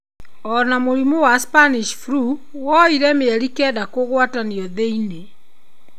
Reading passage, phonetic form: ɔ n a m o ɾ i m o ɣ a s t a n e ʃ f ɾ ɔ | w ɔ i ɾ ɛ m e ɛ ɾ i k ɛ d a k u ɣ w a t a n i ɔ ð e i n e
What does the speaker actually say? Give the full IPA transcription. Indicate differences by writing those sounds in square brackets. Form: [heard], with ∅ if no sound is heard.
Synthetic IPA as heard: ɔ n a m o ɾ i m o [w] a s [p] a n [i] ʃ f ɾ [u] | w ɔ i ɾ ɛ m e ɛ ɾ i k ɛ d a k [o] ɣ w a t a n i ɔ ð e i n e